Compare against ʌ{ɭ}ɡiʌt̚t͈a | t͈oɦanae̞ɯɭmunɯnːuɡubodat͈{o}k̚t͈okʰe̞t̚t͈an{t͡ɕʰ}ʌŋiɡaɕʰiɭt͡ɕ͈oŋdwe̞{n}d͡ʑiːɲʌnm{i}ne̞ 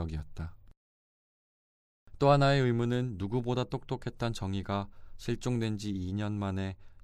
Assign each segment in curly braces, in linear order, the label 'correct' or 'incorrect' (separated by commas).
incorrect, correct, incorrect, correct, incorrect